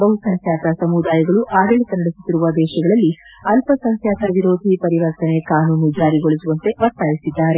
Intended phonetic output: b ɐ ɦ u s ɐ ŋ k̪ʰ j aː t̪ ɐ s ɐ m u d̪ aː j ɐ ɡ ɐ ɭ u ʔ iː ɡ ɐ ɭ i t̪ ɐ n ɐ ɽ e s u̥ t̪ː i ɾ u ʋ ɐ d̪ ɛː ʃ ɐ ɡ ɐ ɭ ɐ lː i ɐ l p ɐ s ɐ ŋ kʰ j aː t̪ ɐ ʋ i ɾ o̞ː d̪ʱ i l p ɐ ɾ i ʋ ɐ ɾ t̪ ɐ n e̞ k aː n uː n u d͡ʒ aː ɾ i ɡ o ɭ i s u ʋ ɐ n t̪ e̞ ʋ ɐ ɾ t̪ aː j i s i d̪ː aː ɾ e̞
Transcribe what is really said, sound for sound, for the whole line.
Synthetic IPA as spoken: b ɐ ɦ u s ɐ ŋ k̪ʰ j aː t̪ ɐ s ɐ m u d̪ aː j ɐ ɡ ɐ ɭ u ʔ aː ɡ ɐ ɭ i t̪ ɐ n ɐ ɽ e s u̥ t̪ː i ɾ u ʋ ɐ d̪ ɛː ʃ ɐ ɡ ɐ ɭ ɐ lː i ɐ l p ɐ s ɐ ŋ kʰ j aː t̪ ɐ ʋ i ɾ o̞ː d̪ʱ i p ɐ ɾ i ʋ ɐ ɾ t̪ ɐ n e̞ k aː n uː n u d͡ʒ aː ɾ i ɡ o ɭ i s u ʋ ɐ n t̪ e̞ ʋ ɐ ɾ t̪ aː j i s i d̪ː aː ɾ e̞